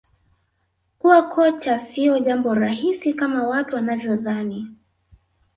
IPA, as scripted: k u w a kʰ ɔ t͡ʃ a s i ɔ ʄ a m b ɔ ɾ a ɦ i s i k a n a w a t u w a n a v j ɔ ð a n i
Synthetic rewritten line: k u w a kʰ ɔ t͡ʃ a s i ɔ ʄ a m b ɔ ɾ a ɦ i s i k a m a w a t u w a n a v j ɔ ð a n i